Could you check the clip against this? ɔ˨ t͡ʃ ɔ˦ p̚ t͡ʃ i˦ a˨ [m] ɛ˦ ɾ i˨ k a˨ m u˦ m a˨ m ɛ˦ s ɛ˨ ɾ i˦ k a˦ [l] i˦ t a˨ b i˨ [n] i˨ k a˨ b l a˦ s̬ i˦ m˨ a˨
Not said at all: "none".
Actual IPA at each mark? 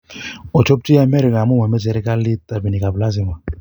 m, l, n

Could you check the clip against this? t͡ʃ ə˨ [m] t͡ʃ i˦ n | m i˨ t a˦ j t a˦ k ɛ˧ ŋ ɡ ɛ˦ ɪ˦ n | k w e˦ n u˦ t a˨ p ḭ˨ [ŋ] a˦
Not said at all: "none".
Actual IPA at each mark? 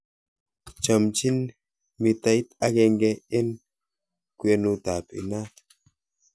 m, n

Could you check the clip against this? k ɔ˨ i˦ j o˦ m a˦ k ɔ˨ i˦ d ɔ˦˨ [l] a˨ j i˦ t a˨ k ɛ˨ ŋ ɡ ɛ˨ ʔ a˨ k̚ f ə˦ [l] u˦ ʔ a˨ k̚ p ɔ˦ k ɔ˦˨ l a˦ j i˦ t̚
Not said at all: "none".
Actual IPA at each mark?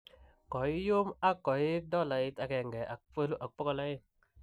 l, l

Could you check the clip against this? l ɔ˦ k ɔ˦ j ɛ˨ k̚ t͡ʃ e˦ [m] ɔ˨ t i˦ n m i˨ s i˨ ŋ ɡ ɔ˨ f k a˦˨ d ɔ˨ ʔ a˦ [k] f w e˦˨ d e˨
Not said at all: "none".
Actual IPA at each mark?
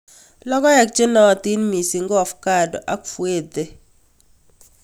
n, k

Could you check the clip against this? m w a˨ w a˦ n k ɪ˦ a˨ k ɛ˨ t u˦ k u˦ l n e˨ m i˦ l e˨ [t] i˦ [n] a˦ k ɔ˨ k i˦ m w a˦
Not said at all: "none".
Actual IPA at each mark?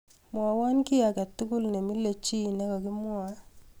t͡ʃ, n

